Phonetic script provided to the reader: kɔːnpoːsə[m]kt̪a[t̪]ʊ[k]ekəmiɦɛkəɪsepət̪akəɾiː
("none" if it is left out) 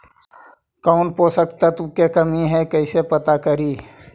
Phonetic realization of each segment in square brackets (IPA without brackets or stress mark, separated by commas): none, t̪, k